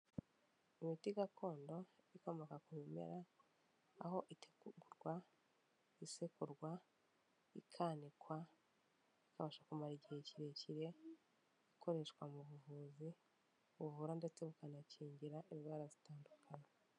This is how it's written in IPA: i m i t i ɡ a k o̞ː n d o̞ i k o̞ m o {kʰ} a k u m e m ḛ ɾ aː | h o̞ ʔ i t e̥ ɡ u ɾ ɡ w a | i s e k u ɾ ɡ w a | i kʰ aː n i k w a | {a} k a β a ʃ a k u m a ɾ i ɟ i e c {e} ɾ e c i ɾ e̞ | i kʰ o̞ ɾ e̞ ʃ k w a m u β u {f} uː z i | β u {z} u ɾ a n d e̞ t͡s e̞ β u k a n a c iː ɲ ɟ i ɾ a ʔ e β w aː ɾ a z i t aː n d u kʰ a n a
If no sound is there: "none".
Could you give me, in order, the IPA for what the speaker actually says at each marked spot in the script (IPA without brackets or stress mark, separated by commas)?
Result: k, i, i, v, v